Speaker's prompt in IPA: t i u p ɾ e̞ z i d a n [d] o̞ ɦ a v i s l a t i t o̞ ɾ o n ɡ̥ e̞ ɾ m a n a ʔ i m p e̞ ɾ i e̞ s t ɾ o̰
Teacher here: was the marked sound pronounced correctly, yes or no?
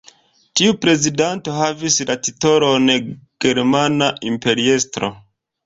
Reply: no